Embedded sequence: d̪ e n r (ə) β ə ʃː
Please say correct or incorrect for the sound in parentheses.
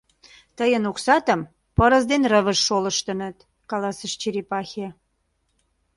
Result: correct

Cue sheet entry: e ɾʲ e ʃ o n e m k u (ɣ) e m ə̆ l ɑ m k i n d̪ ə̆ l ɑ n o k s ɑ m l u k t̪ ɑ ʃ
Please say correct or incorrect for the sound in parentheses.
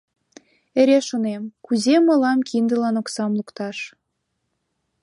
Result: incorrect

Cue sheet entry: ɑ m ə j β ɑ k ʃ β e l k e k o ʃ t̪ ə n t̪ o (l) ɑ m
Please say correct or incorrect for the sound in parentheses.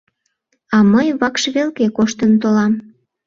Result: correct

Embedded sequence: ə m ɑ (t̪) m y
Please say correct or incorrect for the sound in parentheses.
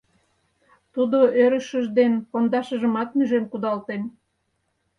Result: correct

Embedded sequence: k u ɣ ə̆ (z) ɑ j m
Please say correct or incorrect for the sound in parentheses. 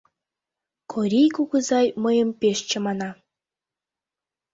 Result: correct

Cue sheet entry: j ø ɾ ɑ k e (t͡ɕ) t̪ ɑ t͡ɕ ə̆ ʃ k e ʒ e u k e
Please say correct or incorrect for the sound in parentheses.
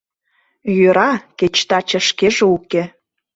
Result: correct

